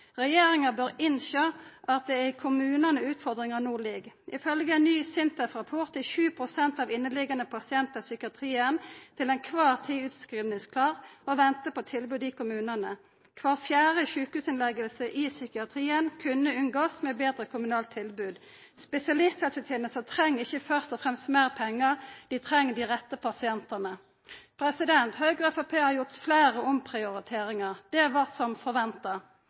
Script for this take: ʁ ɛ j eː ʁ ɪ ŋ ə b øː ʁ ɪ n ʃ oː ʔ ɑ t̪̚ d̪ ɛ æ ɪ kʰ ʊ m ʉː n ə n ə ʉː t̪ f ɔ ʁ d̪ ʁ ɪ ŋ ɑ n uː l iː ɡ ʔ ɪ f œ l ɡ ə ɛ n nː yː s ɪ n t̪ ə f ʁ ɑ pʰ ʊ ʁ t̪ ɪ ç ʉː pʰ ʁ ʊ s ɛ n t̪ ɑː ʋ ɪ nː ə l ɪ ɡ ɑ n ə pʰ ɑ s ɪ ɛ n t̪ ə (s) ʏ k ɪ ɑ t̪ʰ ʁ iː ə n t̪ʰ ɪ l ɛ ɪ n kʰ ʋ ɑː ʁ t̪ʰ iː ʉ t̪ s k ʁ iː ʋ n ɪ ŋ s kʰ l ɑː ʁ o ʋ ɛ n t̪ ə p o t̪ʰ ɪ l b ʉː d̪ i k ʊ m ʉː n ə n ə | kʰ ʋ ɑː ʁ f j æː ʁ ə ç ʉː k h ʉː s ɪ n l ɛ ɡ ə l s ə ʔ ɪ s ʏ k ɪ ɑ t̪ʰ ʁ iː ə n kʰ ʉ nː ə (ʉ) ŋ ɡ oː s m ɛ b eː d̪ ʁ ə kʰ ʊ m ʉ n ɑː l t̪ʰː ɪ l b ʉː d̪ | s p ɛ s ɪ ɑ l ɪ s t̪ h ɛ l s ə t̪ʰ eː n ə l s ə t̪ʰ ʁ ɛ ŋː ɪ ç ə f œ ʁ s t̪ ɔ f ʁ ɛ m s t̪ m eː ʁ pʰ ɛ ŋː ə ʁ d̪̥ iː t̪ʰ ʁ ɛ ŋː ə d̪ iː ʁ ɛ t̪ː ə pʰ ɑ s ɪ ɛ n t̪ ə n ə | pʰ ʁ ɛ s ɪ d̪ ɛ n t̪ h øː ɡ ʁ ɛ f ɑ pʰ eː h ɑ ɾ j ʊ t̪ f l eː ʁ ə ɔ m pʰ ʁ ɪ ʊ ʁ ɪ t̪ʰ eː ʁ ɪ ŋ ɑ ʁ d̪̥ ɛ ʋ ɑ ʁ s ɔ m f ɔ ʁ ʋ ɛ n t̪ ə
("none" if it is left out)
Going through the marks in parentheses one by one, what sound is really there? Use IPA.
s, ʉ

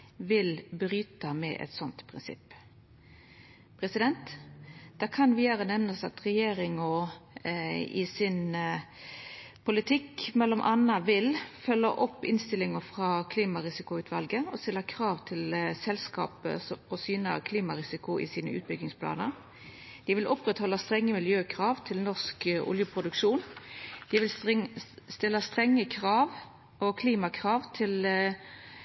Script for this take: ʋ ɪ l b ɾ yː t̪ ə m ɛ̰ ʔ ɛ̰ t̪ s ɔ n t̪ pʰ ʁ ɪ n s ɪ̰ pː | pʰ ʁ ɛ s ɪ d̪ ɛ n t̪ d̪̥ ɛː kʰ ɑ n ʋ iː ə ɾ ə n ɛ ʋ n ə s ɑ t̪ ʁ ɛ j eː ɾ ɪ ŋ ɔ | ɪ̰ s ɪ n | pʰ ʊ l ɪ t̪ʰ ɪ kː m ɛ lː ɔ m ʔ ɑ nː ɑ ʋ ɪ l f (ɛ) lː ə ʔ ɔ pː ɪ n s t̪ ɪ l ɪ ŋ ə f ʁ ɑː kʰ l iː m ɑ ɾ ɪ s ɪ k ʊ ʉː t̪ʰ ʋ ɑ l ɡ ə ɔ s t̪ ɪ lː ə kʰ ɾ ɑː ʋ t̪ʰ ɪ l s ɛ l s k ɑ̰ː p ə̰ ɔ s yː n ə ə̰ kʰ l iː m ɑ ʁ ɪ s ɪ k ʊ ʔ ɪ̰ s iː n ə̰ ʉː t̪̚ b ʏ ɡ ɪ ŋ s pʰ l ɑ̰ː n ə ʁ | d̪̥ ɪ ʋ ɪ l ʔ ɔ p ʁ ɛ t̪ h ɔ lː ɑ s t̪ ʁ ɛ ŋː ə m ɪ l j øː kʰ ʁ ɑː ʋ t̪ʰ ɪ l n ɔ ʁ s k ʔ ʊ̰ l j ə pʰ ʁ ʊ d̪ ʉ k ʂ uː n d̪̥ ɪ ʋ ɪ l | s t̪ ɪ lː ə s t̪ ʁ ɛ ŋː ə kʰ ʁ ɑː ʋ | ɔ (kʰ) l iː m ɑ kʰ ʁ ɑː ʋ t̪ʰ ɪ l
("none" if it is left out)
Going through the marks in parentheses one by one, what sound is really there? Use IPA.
œ, kʰ

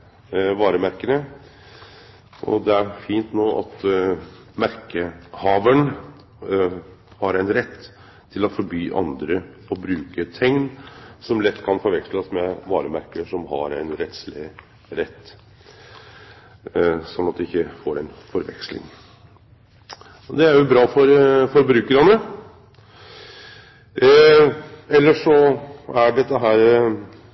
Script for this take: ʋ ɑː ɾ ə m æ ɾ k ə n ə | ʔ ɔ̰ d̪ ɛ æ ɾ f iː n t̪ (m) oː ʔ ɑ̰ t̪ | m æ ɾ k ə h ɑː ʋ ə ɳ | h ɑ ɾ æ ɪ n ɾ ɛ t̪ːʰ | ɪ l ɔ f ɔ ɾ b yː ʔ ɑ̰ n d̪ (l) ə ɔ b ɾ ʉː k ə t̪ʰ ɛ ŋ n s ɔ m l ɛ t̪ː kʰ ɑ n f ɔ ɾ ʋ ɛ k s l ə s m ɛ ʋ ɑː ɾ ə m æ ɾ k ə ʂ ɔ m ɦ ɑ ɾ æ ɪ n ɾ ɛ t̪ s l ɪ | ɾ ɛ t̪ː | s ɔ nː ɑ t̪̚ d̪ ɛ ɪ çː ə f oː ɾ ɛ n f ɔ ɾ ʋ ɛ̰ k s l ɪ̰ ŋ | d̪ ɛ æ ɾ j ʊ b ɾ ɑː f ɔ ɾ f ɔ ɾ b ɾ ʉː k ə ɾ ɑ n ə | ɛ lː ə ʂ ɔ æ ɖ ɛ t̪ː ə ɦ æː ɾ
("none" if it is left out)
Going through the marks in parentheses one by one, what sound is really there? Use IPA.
n, ɾ

